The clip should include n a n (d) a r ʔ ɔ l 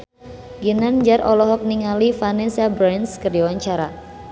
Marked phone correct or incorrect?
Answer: incorrect